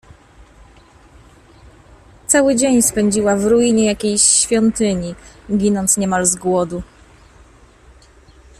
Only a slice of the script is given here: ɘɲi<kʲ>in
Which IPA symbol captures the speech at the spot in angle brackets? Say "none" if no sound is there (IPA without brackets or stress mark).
ɡʲ